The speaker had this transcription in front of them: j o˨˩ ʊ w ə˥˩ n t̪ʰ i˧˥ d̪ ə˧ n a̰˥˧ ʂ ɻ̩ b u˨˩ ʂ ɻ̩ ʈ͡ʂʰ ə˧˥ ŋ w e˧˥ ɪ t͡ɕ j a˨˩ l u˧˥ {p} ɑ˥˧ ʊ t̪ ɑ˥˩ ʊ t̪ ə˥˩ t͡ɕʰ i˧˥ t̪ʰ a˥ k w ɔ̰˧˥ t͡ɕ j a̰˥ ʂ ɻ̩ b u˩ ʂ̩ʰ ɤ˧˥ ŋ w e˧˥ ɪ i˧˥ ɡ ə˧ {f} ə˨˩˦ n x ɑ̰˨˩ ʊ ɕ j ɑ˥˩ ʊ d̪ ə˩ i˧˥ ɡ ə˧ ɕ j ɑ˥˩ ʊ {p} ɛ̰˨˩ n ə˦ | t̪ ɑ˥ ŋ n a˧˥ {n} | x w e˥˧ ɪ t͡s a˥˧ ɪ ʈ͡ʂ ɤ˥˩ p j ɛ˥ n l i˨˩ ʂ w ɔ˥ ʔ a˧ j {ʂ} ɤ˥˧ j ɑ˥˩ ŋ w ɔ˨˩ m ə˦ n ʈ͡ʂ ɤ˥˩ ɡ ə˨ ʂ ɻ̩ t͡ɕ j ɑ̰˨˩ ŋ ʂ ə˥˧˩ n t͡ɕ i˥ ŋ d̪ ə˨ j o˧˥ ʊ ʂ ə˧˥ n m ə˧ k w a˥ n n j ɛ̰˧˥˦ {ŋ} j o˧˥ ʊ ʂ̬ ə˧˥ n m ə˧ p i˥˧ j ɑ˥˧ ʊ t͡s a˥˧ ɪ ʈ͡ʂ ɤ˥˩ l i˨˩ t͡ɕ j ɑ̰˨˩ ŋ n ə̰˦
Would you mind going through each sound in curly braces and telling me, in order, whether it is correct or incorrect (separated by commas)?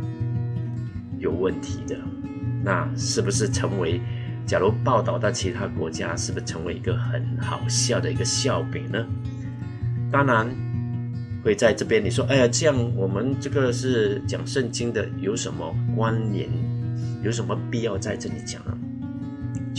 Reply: correct, incorrect, correct, correct, incorrect, incorrect